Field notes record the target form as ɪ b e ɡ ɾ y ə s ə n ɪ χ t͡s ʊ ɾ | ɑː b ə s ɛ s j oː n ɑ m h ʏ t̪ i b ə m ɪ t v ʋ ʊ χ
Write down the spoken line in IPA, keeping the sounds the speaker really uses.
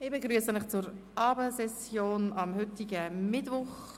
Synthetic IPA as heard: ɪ b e ɡ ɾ y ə s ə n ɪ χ t͡s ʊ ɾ | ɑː b ə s ɛ s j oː n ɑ m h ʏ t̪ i ɡ ə m ɪ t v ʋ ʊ χ